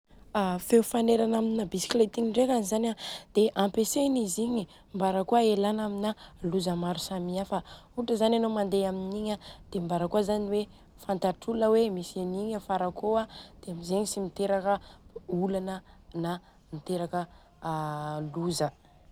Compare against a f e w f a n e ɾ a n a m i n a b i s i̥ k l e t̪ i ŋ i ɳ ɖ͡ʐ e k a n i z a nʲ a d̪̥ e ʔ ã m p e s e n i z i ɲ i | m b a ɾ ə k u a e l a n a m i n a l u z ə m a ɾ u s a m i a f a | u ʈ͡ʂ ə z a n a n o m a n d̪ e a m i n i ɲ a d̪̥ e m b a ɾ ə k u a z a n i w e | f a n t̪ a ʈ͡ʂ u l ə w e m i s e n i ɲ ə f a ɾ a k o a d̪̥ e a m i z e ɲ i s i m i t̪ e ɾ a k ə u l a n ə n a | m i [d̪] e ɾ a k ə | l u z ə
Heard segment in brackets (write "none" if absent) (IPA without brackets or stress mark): t̪